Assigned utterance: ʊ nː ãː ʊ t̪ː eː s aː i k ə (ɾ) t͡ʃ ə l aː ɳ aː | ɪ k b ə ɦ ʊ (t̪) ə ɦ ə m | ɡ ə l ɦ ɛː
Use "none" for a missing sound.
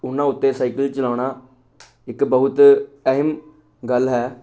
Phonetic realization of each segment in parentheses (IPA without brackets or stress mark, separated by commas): l, t̪